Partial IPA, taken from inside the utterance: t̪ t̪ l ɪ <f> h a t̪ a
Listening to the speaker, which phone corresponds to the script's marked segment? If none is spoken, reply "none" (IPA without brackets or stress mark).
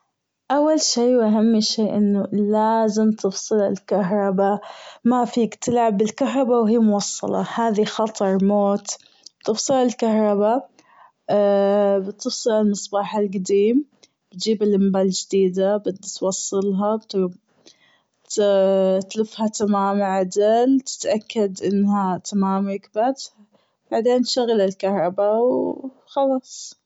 f